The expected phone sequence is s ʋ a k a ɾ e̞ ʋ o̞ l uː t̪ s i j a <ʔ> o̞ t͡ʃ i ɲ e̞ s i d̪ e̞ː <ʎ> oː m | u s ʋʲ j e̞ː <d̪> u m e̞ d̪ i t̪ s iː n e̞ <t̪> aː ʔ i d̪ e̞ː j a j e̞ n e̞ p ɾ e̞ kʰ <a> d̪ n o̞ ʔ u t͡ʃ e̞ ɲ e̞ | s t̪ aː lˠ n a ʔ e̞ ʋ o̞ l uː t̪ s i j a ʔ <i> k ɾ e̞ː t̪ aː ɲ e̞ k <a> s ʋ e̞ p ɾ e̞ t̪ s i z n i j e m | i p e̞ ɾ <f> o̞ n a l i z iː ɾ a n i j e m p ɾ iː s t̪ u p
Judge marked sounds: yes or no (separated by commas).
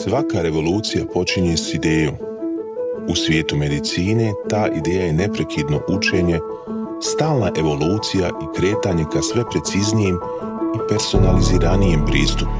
no, no, no, yes, no, yes, yes, no